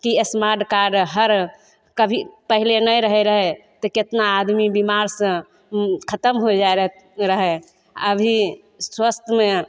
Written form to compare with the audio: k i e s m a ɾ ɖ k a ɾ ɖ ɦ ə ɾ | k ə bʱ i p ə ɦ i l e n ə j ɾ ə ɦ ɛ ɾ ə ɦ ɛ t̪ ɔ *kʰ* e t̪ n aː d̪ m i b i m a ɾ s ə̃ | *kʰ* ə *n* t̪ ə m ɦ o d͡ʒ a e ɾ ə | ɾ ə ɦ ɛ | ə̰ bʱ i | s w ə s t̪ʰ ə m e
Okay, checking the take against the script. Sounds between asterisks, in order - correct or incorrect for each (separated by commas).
incorrect, correct, incorrect